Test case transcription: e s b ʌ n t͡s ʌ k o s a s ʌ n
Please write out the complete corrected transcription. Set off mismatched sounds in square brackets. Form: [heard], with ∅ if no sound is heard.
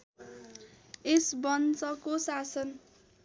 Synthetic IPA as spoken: e s b ʌ n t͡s ʌ k o s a s ʌ n